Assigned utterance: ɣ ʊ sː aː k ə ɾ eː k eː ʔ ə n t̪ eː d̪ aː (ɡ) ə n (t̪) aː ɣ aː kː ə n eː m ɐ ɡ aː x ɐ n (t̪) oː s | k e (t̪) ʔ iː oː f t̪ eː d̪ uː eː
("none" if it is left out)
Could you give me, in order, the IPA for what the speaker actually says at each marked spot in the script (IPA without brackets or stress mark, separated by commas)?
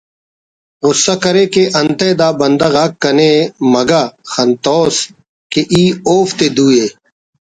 b, d̪, t̪, none